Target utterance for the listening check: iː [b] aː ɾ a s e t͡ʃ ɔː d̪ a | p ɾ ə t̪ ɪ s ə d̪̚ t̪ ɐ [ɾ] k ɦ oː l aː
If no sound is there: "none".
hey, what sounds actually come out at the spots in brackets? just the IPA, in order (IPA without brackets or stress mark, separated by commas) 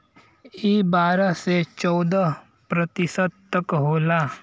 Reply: b, none